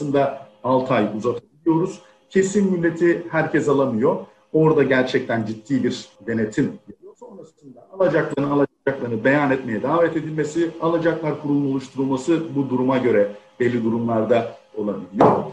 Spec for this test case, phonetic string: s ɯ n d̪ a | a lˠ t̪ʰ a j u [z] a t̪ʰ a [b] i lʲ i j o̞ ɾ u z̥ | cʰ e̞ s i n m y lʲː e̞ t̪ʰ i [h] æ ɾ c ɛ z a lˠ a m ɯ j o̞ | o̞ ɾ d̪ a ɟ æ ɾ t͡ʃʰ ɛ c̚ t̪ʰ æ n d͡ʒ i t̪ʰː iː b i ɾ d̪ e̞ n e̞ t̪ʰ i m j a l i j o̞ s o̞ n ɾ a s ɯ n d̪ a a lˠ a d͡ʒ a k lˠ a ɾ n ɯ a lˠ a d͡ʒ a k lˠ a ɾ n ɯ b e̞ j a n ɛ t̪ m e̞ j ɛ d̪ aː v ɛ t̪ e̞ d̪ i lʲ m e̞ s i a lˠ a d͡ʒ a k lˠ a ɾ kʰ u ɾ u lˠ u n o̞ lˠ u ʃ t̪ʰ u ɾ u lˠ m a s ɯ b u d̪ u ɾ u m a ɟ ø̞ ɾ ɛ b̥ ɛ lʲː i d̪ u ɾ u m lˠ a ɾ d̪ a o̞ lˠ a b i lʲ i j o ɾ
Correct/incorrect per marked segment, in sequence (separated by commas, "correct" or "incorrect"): correct, correct, correct